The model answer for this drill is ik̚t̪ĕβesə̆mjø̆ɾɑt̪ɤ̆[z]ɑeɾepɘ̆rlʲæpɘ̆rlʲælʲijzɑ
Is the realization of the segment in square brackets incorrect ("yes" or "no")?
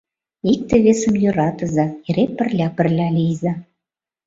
no